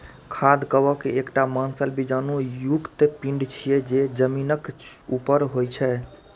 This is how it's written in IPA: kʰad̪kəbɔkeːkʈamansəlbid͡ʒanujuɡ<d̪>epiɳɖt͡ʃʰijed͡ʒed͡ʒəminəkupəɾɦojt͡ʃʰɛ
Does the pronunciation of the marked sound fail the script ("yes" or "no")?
yes